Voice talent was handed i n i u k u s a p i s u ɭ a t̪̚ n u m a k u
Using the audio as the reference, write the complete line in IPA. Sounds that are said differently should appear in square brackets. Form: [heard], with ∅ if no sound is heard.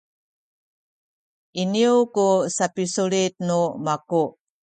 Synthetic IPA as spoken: i n i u k u s a p i s u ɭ [i] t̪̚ n u m a k u